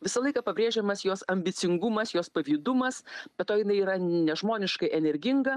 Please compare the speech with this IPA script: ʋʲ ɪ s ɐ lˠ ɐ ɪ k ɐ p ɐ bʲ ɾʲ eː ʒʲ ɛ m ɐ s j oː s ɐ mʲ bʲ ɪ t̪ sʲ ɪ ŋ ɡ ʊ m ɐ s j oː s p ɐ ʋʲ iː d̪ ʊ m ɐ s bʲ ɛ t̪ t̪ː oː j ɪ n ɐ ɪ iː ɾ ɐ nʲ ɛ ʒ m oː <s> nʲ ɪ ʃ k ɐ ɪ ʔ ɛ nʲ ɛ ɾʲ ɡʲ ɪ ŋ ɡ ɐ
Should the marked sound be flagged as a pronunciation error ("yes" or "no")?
yes